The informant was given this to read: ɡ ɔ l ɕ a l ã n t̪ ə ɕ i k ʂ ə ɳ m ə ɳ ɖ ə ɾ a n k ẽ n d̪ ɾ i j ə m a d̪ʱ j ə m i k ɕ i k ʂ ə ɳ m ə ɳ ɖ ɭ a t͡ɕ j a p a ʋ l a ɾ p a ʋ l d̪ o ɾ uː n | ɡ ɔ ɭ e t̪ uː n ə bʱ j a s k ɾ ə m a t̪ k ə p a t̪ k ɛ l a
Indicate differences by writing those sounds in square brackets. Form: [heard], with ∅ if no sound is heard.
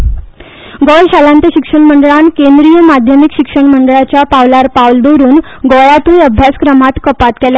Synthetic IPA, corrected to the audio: ɡ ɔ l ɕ a l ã n t̪ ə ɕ i k ʂ ə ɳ m ə ɳ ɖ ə [ɭ] a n k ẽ n d̪ ɾ i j ə m a d̪ʱ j ə m i k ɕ i k ʂ ə ɳ m ə ɳ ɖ ɭ a t͡ɕ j a p a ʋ l a ɾ p a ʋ l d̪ o ɾ uː n | ɡ ɔ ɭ [a] t̪ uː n ə bʱ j a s k ɾ ə m a t̪ k ə p a t̪ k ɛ l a